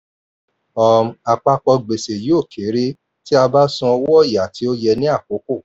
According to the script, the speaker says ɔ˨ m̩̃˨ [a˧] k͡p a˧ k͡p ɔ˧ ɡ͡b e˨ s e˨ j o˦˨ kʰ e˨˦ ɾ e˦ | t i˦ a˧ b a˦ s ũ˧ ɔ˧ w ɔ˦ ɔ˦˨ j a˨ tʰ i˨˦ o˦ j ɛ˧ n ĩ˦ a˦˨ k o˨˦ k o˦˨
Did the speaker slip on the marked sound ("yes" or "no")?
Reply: no